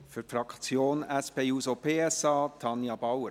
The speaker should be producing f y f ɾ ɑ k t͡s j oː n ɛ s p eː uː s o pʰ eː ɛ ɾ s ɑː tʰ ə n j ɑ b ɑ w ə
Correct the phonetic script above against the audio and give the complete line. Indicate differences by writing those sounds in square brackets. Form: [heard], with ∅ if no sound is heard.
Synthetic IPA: f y f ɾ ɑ k t͡s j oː n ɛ s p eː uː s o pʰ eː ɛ [∅] s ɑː tʰ [ɑ] n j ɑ b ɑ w ə